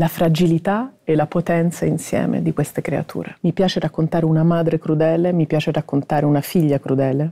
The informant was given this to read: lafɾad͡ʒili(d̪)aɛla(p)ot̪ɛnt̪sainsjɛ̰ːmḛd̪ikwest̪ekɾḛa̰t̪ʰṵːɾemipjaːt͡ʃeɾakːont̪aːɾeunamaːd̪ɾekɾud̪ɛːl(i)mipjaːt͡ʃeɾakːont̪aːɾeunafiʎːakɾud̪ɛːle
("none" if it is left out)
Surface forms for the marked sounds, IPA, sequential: t̪, p, e

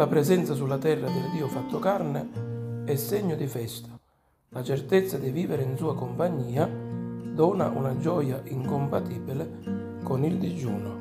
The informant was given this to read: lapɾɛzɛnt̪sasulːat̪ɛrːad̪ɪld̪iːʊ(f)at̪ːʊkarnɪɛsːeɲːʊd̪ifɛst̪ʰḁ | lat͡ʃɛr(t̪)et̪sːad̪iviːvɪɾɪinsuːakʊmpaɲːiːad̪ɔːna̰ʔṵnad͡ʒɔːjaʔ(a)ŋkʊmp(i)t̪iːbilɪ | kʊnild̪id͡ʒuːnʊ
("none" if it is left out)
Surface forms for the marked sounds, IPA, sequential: f, t̪, i, a

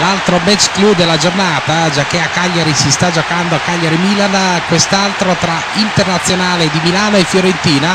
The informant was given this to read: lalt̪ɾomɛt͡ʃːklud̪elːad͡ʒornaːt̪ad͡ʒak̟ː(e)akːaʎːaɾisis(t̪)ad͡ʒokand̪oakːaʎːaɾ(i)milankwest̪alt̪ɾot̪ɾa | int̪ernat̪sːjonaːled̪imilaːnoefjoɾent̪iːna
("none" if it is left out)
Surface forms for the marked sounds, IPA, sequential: e, t̪, i

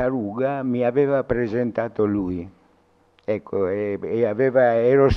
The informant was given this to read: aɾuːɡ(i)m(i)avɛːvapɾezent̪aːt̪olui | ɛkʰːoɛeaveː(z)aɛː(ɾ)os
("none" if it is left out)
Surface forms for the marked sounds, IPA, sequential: a, i, v, ɾ

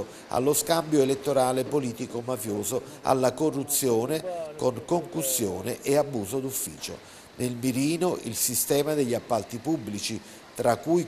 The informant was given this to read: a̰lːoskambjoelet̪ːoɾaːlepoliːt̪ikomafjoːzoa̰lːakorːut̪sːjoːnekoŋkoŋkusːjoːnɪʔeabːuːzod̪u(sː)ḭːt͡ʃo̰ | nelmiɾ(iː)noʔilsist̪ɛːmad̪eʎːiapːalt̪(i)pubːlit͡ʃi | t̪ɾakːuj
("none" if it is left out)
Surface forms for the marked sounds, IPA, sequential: fː, iː, i

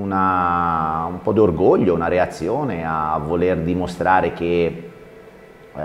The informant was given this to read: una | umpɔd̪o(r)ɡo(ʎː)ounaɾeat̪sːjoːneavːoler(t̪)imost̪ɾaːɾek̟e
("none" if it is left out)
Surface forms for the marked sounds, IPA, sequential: r, ʎː, d̪

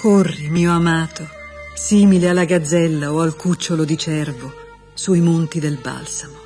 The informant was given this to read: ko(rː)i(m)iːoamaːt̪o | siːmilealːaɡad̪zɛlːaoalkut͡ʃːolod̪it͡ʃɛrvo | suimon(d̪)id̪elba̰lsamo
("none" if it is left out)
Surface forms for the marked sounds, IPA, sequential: rː, m, t̪

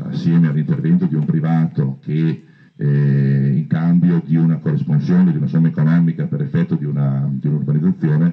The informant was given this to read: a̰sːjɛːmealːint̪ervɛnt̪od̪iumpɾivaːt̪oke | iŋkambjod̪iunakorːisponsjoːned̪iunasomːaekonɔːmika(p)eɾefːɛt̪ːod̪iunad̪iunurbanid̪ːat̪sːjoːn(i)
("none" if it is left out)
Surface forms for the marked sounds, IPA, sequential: p, e

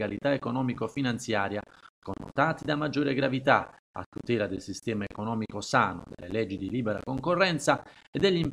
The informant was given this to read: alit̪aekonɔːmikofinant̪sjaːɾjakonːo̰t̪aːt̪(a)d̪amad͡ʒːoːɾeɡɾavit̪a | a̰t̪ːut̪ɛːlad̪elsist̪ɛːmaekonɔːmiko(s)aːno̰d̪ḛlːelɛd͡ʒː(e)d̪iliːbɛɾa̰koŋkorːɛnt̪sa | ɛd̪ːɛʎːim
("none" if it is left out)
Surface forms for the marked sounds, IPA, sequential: i, s, i

